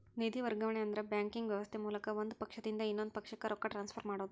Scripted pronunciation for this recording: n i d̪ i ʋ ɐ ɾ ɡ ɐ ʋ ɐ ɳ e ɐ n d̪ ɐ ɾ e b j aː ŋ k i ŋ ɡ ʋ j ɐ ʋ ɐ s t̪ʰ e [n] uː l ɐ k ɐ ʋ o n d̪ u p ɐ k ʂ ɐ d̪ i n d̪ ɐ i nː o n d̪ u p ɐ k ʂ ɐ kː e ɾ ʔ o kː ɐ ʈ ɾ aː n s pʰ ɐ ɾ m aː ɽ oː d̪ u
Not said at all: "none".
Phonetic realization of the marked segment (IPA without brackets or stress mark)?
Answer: m